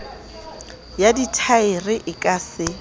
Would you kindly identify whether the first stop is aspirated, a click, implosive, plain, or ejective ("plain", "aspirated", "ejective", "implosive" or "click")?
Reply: plain